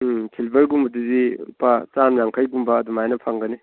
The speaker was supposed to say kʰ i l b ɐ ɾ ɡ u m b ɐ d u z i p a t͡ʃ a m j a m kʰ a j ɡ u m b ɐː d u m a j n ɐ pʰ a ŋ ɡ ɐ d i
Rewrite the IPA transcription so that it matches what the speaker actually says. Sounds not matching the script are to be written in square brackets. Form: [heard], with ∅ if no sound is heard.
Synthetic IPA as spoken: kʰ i l b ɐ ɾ ɡ u m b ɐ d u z i p a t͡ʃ a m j a [ŋ] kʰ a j ɡ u m b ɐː d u m a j n ɐ pʰ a ŋ ɡ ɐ [n] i

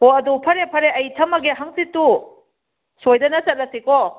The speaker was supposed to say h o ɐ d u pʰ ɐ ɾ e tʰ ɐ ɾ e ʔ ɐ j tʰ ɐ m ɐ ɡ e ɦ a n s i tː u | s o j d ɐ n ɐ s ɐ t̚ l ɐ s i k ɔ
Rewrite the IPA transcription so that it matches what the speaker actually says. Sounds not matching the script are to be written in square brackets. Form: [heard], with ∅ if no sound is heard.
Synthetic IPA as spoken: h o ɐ d u pʰ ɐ ɾ e [pʰ] ɐ ɾ e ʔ ɐ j tʰ ɐ m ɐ ɡ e ɦ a [ŋ] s i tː u | s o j d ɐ n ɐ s ɐ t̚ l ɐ s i k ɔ

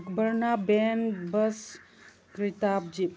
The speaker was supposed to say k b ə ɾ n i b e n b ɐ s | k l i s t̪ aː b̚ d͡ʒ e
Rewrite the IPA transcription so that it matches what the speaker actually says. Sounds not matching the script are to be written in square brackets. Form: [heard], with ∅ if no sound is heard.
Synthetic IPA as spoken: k b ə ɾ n [a] b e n b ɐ s | k [ɾ] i [∅] t̪ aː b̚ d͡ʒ [i]

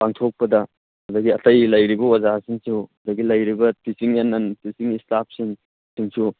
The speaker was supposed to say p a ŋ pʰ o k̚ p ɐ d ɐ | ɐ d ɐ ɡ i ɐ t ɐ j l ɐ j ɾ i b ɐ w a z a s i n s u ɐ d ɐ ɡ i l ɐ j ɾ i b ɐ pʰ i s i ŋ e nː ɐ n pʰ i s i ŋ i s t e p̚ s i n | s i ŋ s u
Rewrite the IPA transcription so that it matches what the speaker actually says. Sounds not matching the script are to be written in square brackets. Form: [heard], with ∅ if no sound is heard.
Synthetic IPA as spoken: p a ŋ [tʰ] o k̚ p ɐ d ɐ | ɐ d ɐ ɡ i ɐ t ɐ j l ɐ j ɾ i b ɐ w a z a s i [ŋ] s u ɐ d ɐ ɡ i l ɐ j ɾ i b ɐ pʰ i s i ŋ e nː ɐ n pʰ i s i ŋ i s t [a] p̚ s i [ŋ] | s i ŋ s u

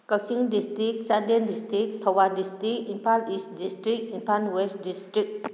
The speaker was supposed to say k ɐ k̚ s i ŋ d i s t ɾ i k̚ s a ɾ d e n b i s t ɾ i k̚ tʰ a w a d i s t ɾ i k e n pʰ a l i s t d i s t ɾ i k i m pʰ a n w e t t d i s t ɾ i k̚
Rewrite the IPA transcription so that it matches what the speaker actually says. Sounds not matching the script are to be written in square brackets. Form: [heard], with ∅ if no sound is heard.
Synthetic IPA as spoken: k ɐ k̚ s i ŋ d i s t ɾ i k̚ s a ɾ d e n [d] i s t ɾ i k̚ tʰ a w a d i s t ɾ i k [i] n pʰ a l i s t d i s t ɾ i k i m pʰ a n w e [s] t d i s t ɾ i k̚

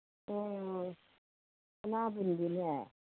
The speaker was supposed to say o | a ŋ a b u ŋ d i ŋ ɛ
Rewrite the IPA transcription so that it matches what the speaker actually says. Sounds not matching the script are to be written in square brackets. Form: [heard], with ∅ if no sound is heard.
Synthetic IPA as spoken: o | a [n] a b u [n] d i [n] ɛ

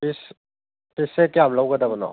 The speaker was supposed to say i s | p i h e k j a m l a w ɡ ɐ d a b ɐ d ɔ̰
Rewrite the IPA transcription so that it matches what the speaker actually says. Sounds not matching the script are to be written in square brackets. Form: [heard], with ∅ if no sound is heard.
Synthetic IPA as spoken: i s | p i [s] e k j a m l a w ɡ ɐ d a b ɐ [n] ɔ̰

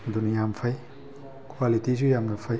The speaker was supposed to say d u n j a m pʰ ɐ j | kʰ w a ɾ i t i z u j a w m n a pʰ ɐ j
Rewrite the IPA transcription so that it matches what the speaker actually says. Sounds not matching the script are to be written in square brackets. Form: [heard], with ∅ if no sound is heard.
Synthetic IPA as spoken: d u n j a m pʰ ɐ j | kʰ w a [l] i t i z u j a [∅] m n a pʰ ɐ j

